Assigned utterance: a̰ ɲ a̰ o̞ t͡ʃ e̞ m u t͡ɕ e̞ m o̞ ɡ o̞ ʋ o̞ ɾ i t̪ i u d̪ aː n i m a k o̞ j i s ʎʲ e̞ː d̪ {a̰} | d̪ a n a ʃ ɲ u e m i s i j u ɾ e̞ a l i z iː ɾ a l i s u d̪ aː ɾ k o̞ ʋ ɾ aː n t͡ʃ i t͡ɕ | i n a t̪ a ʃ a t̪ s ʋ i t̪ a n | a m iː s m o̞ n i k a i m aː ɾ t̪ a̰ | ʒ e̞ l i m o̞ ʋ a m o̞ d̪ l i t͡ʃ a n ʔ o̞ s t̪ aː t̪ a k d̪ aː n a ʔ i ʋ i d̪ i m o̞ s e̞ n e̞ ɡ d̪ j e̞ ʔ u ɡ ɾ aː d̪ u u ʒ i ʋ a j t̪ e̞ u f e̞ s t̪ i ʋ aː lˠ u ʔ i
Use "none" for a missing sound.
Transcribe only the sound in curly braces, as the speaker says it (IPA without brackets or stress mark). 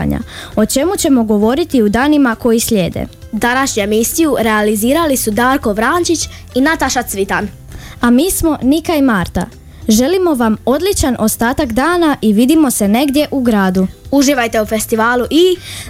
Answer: ḛ